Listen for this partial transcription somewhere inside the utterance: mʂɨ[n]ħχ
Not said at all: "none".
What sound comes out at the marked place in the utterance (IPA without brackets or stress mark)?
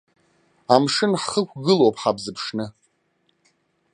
n